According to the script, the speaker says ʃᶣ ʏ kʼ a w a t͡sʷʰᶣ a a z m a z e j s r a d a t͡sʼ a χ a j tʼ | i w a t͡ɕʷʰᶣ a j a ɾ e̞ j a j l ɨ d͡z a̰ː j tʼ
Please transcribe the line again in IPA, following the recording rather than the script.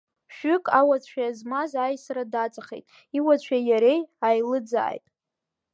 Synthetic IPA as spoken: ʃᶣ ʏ kʼ a w a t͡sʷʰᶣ a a z m a z a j s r a d a t͡sʼ a χ e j tʼ | i w a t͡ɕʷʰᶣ a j a ɾ e̞ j a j l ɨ d͡z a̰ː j tʼ

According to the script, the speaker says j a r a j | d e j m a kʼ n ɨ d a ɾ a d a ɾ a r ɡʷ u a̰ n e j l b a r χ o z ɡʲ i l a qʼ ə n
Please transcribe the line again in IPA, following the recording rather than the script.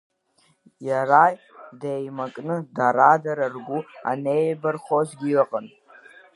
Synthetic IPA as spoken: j a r a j | d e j m a kʼ n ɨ d a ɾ a d a ɾ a r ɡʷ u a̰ n e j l b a r χ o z ɡʲ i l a qʼ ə n

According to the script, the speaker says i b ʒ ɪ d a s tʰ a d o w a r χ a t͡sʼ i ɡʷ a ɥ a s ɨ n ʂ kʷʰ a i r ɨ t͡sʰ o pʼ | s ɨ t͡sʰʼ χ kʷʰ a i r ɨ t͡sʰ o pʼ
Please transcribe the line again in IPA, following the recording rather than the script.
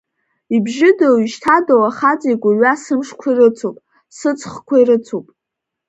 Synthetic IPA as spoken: i b ʒ ɪ d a ʃ tʰ a d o w a χ a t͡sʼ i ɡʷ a ɥ a s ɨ m ʂ kʷʰ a i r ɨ t͡sʰ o pʼ | s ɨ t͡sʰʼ χ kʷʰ a i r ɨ t͡sʰ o pʼ

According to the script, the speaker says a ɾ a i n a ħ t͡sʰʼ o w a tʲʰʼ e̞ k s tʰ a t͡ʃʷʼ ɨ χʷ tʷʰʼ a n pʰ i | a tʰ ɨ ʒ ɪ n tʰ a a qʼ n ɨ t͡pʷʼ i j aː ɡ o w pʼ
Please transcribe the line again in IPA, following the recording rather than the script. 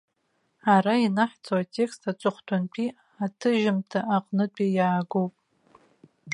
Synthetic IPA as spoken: a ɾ a i n a ħ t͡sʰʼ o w a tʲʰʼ e̞ k s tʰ a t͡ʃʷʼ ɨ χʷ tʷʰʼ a n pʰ i | a tʰ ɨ ʒ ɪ m tʰ a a qʼ n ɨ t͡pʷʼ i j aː ɡ o w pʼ

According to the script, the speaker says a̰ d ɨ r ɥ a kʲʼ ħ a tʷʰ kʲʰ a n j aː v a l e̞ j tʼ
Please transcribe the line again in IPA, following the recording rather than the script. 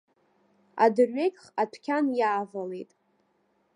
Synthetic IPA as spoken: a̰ d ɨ r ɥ e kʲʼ χ a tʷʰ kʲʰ a n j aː v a l e̞ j tʼ

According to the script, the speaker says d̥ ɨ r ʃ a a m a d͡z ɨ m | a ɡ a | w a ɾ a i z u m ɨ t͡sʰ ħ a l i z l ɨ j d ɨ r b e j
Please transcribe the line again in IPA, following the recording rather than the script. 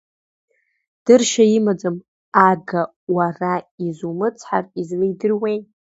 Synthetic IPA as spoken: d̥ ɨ r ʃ a i m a d͡z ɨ m | a ɡ a | w a r a i z u m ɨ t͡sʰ ħ a r i z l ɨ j d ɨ r w e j

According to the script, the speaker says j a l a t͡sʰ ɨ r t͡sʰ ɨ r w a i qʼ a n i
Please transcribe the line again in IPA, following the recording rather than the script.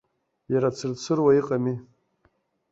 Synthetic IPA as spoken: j a ɾ a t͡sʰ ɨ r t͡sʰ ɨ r w a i qʼ a m i

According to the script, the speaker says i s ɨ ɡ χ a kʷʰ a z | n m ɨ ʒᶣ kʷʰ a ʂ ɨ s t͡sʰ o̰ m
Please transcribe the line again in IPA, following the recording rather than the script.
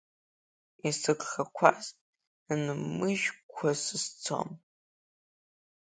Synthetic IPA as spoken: i s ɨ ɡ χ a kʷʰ a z | n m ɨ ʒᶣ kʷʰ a s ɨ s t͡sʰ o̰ m

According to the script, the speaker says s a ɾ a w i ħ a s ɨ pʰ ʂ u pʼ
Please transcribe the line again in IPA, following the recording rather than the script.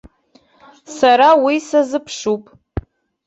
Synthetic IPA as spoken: s a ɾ a w i s a z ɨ pʰ ʂ u pʼ

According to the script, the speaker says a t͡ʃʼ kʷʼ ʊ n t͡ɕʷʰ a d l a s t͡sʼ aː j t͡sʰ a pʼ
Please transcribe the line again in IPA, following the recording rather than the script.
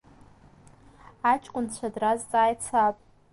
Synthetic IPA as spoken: a t͡ʃʼ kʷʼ ʊ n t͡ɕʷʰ a d r a z t͡sʼ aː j t͡sʰ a pʼ

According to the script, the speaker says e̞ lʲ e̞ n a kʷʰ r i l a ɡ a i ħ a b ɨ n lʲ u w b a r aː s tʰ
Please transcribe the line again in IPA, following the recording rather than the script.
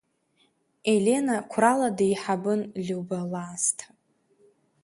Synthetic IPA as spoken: e̞ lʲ e̞ n a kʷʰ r a l a d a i ħ a b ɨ n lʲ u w b a l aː s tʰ

